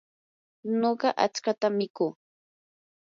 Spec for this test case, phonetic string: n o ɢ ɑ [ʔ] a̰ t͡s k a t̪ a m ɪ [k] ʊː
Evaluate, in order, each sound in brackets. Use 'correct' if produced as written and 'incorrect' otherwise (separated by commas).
correct, correct